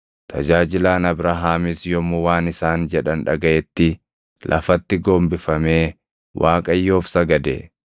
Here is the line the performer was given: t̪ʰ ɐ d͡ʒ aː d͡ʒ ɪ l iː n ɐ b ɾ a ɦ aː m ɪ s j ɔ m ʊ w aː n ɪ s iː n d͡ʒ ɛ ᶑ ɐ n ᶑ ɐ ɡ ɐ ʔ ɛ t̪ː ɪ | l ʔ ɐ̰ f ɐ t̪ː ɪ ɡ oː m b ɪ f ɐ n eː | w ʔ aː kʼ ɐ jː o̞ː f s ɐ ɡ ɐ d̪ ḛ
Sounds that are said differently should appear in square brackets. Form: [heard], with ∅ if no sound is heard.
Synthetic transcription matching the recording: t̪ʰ ɐ d͡ʒ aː d͡ʒ ɪ l [aː] n ɐ b ɾ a ɦ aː m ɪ s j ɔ m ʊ w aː n ɪ s [aː] n d͡ʒ ɛ ᶑ ɐ n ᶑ ɐ ɡ ɐ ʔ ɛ t̪ː ɪ | l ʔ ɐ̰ f ɐ t̪ː ɪ ɡ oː m b ɪ f ɐ [m] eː | w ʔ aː kʼ ɐ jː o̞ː f s ɐ ɡ ɐ d̪ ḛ